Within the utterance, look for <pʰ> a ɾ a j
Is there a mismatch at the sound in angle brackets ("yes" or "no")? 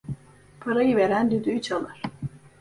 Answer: no